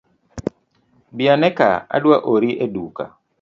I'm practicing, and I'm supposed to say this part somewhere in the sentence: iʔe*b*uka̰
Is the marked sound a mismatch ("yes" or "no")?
yes